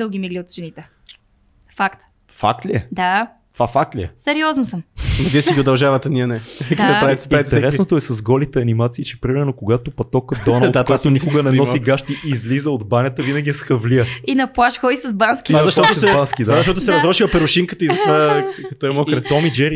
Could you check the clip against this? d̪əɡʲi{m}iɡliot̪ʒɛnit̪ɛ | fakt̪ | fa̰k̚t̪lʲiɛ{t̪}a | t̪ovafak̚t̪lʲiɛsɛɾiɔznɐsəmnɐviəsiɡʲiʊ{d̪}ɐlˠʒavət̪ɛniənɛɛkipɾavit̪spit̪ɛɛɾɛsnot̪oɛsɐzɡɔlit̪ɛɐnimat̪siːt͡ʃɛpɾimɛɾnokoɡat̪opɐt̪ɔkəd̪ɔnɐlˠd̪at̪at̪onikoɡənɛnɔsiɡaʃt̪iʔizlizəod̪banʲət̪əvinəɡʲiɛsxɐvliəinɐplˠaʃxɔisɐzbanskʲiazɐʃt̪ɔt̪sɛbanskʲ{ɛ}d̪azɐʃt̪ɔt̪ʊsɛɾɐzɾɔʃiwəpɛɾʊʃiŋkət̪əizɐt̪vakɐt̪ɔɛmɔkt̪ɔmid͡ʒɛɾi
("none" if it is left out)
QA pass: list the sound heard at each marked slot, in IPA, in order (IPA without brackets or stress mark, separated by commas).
m, d̪, d̪, i